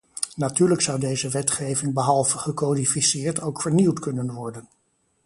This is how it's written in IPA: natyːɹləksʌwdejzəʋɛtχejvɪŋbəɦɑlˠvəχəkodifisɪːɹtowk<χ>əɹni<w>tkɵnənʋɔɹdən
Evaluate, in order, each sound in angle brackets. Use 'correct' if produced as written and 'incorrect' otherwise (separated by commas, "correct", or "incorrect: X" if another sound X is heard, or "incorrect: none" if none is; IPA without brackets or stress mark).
incorrect: f, correct